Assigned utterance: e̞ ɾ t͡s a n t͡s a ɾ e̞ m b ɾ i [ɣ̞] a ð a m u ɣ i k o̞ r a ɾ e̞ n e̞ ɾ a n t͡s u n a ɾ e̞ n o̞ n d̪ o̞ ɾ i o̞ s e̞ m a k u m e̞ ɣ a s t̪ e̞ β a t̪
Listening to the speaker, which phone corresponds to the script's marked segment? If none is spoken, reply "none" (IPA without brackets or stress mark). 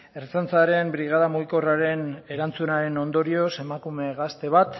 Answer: ɣ̞